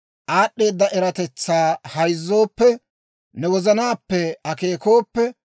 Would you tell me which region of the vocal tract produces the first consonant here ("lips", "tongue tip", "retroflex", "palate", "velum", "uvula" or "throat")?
throat